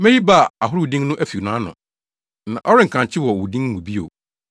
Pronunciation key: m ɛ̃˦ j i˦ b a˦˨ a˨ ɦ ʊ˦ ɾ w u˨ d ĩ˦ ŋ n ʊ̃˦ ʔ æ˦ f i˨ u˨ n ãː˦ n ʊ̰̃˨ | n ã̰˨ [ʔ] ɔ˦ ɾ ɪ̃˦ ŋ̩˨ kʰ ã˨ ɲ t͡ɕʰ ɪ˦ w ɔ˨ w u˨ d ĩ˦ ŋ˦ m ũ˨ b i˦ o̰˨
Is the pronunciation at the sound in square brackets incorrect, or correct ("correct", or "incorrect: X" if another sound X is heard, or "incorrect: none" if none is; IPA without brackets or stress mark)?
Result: correct